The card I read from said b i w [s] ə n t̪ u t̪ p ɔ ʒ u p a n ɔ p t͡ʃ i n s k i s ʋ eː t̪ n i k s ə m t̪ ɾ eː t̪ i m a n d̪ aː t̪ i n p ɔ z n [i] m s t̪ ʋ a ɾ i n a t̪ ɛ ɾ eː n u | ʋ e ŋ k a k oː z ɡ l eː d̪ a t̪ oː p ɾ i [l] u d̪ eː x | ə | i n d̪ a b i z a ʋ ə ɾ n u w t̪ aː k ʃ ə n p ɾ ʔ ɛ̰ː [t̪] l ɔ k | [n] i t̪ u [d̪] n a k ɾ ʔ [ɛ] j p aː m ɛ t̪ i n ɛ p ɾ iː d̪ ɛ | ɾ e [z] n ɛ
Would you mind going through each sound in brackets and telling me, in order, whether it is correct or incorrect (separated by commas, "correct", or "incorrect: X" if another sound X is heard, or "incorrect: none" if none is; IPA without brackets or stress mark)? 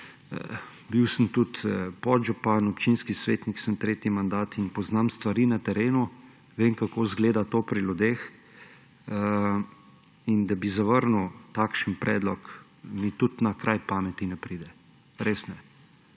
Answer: correct, incorrect: a, correct, incorrect: d̪, incorrect: m, incorrect: t̪, incorrect: a, incorrect: s